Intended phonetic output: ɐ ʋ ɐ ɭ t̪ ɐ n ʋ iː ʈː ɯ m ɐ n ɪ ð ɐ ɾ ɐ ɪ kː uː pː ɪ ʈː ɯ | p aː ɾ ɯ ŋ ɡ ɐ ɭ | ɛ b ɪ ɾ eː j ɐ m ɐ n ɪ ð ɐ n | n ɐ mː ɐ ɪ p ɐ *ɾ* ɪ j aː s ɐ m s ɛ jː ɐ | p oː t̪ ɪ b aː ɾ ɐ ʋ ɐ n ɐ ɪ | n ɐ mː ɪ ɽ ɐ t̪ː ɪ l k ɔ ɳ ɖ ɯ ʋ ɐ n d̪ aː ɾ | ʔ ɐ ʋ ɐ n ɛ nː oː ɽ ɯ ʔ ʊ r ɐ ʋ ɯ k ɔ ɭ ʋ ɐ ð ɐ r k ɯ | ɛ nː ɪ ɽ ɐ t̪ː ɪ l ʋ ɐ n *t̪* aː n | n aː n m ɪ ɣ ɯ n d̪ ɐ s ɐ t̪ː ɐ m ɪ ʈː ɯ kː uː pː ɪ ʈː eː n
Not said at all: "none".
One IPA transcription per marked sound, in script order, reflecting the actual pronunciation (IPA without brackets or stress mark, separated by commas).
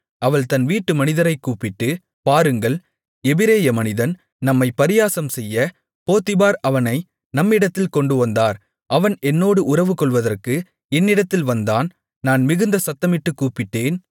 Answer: ɾ, d̪